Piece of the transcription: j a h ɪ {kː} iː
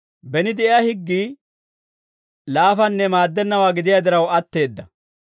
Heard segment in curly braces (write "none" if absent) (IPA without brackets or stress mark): ɡː